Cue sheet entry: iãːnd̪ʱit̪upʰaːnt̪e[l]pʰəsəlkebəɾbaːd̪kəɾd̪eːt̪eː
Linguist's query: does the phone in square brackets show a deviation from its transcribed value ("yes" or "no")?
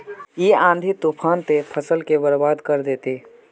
yes